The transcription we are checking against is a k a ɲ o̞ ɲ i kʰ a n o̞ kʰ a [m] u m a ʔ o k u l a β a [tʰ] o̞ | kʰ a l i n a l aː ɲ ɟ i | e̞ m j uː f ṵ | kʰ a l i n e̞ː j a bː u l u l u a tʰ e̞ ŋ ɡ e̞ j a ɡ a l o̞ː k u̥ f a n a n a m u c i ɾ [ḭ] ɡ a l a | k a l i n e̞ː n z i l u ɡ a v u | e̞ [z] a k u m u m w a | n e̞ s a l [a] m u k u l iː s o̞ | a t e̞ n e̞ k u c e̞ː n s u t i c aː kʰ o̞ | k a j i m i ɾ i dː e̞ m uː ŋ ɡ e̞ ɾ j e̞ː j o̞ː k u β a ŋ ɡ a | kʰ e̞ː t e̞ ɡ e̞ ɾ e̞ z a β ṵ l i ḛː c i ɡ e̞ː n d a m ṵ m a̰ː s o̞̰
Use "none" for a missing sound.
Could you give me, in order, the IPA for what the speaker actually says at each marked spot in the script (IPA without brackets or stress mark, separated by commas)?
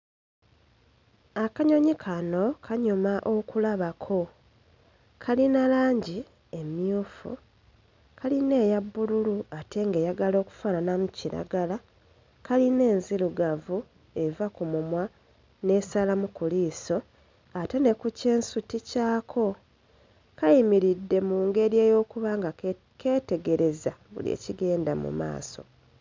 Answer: ɲ, kʰ, a̰, v, a